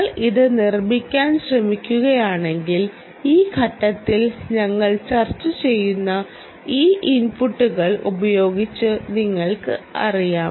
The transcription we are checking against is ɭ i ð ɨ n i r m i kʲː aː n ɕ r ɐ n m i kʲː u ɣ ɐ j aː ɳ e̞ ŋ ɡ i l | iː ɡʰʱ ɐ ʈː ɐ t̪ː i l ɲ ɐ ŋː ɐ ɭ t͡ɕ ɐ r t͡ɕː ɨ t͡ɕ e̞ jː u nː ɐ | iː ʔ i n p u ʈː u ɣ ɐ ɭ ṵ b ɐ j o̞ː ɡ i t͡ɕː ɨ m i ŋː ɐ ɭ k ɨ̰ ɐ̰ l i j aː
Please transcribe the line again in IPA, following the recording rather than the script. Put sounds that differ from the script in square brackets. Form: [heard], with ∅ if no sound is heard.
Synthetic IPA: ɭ i ð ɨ n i r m i kʲː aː n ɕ r ɐ [∅] m i kʲː u ɣ ɐ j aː ɳ e̞ ŋ ɡ i l | iː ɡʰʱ ɐ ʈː ɐ t̪ː i l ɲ ɐ ŋː ɐ ɭ t͡ɕ ɐ r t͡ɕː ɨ t͡ɕ e̞ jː u nː ɐ | iː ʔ i n p u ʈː u ɣ ɐ ɭ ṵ b ɐ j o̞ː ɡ i t͡ɕː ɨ [n] i ŋː ɐ ɭ k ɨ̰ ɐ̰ [r] i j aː